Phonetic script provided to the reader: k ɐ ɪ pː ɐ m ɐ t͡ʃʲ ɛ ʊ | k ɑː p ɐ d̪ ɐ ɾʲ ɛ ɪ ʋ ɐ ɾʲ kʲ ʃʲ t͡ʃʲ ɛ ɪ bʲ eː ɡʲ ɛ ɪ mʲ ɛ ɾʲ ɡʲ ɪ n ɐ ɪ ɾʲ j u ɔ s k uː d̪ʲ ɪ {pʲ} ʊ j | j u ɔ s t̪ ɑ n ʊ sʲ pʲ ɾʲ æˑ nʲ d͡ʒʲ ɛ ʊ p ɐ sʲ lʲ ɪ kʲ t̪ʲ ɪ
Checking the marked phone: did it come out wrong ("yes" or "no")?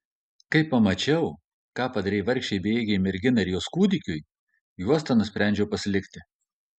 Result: yes